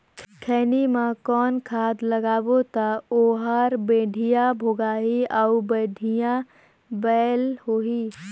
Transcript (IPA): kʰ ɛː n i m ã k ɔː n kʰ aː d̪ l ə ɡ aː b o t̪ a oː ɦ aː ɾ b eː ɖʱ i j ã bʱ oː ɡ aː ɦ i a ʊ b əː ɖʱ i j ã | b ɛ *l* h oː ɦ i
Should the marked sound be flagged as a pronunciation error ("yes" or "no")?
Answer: no